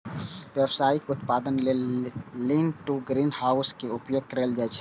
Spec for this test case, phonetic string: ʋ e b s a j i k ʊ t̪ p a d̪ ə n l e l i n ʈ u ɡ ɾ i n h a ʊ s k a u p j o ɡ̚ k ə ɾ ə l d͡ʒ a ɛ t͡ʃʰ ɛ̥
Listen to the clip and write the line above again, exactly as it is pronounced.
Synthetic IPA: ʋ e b s a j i k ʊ t̪ p a d̪ ə n l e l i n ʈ u ɡ ɾ i n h a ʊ s k e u p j o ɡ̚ k ə ɾ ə l d͡ʒ a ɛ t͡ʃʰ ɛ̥

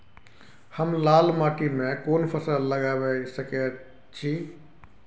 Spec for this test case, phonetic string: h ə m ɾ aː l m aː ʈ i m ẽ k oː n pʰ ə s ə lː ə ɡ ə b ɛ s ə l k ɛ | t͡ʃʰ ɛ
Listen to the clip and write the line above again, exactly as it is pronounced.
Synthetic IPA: h ə m l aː l m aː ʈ i m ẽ k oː n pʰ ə s ə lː ə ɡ a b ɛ s ə k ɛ | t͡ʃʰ i

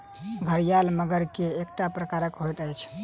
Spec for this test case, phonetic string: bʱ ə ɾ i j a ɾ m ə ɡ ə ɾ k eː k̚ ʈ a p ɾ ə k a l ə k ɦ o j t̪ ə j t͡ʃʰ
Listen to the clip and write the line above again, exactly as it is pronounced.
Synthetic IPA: bʱ ə ɾ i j a l m ə ɡ ə ɾ k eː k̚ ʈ a p ɾ ə k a ɾ ə k ɦ o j t̪ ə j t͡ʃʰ

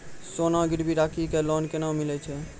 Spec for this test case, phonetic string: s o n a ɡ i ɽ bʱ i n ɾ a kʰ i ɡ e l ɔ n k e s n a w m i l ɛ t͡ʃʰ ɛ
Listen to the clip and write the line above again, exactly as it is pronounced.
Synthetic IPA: s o n a ɡ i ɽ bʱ i ɾ a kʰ i k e l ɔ n k e n a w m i l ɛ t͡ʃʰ ɛ

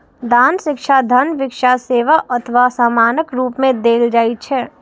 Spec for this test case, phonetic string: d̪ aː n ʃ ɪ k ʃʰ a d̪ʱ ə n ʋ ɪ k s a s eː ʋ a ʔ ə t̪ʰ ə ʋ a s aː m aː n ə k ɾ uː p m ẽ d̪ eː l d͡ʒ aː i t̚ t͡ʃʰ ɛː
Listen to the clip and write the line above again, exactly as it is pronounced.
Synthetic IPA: d̪ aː n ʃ ɪ k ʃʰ a d̪ʱ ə n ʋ ɪ k ʃ a s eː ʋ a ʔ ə t̪ʰ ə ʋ a s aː m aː n ə k ɾ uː p m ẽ d̪ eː l d͡ʒ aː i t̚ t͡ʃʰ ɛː

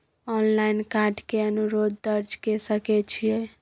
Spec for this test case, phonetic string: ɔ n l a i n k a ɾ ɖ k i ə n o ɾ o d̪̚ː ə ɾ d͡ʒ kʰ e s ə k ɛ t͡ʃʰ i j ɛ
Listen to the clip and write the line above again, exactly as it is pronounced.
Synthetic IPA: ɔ n l a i n k a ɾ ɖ k e ə n u ɾ o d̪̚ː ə ɾ d͡ʒ k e s ə k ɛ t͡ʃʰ i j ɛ

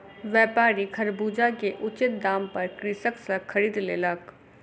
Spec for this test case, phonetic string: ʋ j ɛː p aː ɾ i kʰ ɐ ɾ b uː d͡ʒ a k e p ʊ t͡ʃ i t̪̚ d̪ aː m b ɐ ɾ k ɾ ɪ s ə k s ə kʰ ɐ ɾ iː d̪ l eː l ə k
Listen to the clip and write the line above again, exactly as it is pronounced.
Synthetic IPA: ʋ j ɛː p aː ɾ i kʰ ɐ ɾ b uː d͡ʒ a k e ʔ ʊ t͡ʃ ɪ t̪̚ d̪ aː m p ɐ ɾ k ɾ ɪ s ə k s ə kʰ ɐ ɾ iː d̪ l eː l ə k

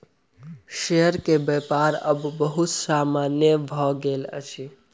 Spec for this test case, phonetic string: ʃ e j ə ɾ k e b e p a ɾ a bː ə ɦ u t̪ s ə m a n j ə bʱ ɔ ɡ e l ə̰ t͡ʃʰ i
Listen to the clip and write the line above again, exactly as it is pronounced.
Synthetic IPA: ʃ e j ə ɾ k e b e p a ɾ ə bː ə ɦ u t̪ s a m a n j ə bʱ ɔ ɡ e l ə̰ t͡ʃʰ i

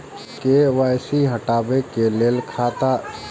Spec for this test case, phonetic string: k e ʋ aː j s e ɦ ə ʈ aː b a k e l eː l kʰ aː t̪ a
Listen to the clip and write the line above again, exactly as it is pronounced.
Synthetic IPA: k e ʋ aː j s i ɦ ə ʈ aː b e k e l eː l kʰ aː t̪ a

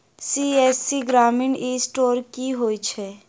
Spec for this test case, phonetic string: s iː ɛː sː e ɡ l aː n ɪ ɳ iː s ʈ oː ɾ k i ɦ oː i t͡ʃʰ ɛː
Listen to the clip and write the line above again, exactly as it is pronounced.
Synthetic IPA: s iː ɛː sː i ɡ ɾ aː m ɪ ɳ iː s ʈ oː ɾ k i ɦ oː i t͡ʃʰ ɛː

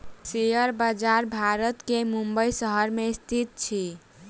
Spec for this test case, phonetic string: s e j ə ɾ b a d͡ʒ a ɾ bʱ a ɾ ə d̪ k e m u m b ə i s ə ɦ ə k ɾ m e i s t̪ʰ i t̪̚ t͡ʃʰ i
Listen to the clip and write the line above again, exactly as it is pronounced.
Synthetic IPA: s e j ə ɾ b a d͡ʒ a ɾ bʱ a ɾ ə t̪ k e m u m b ə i s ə ɦ ə ɾ m e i s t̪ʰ i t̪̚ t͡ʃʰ i

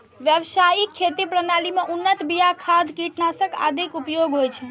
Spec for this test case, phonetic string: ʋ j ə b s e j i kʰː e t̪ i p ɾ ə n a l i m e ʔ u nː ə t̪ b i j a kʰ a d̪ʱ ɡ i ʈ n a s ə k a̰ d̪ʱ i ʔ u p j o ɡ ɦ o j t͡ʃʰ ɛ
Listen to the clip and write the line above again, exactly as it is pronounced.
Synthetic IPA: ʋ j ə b s a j i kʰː e t̪ i p ɾ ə n a l i m e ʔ u nː ə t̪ b i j a kʰ a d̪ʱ k i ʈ n a s ə k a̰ d̪ʱ i k u p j o ɡ ɦ o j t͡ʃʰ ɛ

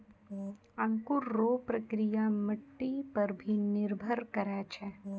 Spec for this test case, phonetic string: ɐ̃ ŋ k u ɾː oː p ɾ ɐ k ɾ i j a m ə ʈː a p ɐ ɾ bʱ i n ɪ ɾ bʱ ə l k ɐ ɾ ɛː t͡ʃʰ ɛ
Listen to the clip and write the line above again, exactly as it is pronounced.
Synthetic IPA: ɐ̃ ŋ k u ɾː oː p ɾ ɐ k ɾ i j a m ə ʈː i p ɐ ɾ bʱ i n ɪ ɾ bʱ ə ɾ k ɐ ɾ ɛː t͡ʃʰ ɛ

